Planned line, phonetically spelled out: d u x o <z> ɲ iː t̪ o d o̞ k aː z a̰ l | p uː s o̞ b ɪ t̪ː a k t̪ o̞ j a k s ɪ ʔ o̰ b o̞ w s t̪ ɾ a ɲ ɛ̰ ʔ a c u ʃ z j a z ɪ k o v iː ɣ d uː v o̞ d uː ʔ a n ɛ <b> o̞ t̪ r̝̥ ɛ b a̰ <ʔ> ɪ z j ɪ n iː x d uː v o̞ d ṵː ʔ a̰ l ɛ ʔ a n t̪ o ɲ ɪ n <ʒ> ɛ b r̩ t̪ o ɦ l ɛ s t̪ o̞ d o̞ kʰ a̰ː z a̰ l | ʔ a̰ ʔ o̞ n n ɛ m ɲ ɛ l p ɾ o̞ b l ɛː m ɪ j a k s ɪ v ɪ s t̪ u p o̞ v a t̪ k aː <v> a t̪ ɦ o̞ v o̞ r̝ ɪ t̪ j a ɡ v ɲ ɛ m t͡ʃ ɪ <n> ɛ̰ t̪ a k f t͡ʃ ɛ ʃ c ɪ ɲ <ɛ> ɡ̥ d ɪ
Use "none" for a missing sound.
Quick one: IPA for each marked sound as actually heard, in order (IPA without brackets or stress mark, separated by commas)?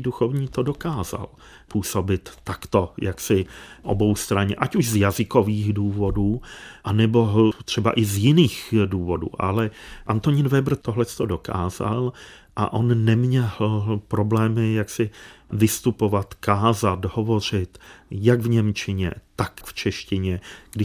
v, b, ʔ, v, z, ɲ, ɛ